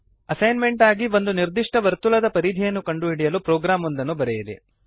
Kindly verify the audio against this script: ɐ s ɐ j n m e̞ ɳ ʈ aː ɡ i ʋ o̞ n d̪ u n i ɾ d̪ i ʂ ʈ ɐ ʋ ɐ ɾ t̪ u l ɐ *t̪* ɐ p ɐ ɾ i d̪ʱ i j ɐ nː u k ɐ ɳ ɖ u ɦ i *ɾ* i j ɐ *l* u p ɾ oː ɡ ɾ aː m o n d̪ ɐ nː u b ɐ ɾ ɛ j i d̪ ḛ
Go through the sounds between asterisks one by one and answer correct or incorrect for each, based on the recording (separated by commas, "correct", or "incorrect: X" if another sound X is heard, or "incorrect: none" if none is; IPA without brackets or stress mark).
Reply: incorrect: d̪, incorrect: ɽ, correct